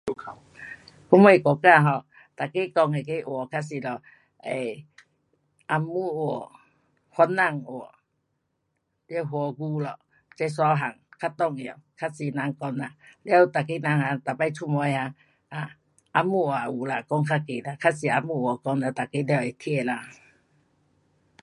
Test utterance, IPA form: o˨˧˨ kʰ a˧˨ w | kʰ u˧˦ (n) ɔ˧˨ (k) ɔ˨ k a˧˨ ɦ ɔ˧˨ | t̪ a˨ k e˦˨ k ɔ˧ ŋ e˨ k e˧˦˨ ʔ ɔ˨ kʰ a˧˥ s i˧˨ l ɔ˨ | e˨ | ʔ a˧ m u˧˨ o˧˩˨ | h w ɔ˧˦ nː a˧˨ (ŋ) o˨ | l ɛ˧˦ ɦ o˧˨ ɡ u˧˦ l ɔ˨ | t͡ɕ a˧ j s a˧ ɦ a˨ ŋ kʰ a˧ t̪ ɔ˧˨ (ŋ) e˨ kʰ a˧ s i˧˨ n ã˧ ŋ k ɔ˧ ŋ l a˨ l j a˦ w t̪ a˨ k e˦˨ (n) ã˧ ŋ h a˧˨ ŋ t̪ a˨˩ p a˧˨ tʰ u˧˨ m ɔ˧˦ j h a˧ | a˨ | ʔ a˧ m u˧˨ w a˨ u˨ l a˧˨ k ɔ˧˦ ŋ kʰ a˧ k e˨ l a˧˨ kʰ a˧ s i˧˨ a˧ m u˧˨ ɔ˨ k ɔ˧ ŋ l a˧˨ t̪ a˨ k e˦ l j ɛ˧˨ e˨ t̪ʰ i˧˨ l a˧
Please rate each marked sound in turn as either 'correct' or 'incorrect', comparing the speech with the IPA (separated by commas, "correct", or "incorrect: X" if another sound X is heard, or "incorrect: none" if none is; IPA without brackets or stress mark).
incorrect: m, correct, correct, correct, correct